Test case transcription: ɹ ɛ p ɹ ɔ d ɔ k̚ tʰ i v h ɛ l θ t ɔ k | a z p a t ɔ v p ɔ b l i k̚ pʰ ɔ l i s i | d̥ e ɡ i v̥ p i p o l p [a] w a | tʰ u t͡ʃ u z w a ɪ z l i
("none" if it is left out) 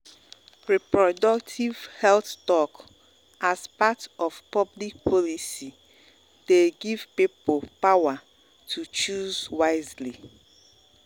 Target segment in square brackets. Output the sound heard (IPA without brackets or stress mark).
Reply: a